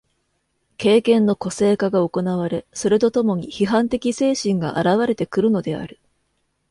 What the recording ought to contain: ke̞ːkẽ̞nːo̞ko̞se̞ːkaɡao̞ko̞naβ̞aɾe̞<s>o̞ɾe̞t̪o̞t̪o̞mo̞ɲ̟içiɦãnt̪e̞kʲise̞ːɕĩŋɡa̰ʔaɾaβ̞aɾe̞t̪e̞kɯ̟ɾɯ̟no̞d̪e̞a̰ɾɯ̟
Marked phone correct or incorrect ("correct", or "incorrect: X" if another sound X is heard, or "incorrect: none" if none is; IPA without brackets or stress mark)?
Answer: correct